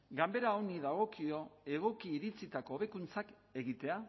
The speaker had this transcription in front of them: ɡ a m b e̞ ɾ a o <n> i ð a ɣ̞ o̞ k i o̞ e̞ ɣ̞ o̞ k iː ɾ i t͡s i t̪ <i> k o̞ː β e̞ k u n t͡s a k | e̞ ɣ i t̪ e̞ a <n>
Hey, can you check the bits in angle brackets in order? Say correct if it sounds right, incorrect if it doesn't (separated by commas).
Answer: correct, incorrect, incorrect